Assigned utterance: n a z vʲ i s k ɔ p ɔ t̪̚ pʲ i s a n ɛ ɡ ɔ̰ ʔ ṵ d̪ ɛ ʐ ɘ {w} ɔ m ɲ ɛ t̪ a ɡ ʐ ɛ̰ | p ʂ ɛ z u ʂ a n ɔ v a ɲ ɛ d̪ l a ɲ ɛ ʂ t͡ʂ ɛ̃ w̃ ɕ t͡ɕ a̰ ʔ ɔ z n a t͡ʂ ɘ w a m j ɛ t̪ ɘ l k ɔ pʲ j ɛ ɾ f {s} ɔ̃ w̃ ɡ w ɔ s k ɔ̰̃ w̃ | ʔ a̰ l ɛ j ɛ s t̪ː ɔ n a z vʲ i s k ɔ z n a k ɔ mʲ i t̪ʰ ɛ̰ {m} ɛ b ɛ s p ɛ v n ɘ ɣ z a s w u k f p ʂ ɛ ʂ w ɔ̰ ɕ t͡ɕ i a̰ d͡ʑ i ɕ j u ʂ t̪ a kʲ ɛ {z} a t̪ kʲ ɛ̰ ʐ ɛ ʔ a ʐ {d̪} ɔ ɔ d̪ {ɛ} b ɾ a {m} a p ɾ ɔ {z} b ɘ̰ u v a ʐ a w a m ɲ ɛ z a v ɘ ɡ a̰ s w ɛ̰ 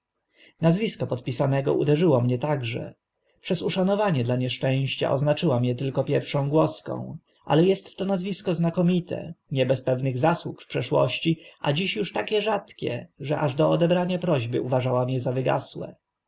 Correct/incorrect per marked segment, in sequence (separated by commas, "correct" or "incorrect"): correct, incorrect, incorrect, incorrect, correct, correct, incorrect, incorrect